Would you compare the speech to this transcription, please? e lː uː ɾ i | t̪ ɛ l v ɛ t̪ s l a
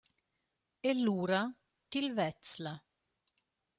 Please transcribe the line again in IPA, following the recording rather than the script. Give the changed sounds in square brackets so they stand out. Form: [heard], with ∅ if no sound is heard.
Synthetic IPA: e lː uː ɾ [a] | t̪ [i] l v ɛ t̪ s l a